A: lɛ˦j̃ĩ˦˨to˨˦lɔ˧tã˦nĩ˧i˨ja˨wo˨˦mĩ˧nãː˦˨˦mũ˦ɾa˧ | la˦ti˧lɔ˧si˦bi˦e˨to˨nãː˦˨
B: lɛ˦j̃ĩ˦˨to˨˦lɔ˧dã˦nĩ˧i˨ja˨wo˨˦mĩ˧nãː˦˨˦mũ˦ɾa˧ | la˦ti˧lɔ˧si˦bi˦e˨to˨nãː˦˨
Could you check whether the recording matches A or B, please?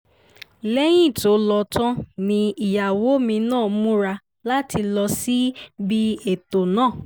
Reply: A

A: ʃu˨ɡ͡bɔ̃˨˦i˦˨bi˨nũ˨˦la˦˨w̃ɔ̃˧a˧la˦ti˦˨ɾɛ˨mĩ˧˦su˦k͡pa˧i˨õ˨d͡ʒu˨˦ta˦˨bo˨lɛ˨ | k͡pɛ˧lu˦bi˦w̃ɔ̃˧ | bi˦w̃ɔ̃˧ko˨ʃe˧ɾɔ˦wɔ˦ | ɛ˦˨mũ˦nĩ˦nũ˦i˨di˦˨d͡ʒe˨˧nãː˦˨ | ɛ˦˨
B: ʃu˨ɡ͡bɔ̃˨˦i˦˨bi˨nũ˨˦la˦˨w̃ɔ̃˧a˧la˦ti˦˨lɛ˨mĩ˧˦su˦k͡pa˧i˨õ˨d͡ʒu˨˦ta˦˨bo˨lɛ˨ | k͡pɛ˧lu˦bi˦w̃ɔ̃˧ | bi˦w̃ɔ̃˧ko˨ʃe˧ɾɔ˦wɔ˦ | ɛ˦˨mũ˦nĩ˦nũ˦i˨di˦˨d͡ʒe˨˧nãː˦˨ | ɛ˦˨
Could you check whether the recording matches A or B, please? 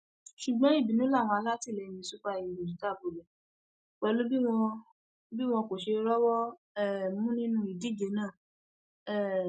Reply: B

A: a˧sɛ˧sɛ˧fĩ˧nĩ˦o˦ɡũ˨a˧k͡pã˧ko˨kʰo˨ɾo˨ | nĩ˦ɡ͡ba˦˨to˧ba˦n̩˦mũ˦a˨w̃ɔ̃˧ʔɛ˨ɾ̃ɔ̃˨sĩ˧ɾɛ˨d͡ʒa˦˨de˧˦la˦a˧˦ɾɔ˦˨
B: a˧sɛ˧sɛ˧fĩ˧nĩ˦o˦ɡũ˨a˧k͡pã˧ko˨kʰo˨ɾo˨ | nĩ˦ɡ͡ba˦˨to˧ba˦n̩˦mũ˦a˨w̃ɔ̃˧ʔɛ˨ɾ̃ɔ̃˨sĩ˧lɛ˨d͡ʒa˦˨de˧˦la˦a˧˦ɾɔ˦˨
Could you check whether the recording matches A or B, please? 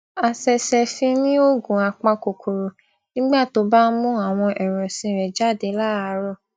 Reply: A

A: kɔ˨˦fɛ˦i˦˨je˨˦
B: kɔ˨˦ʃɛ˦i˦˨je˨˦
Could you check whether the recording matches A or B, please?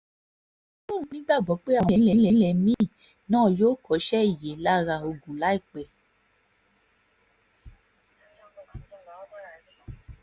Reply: B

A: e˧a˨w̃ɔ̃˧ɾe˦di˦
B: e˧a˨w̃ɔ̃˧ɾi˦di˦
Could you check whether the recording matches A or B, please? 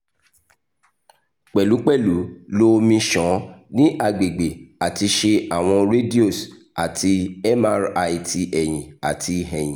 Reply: A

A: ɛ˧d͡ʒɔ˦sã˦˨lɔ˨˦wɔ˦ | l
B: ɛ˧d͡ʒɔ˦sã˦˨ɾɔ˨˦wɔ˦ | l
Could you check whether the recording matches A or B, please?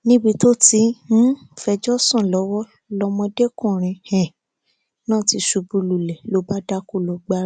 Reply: A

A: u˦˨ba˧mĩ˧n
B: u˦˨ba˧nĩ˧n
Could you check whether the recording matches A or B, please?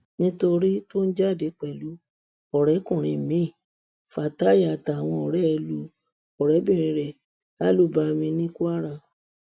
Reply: A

